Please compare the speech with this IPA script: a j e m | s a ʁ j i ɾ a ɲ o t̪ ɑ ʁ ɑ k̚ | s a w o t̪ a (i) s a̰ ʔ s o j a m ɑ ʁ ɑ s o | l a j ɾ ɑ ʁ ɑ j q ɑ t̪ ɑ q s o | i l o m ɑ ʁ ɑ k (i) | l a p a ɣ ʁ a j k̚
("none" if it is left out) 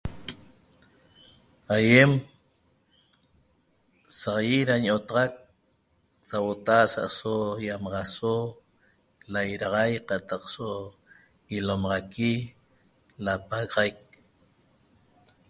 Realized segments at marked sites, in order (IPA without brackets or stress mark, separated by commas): a, i